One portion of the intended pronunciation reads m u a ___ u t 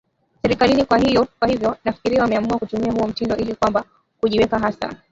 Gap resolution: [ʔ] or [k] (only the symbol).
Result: k